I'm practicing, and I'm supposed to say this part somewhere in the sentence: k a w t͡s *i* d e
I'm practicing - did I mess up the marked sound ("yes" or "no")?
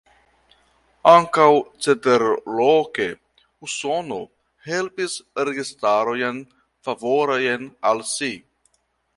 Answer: yes